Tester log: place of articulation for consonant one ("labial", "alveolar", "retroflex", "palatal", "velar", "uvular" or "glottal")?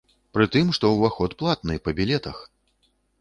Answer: labial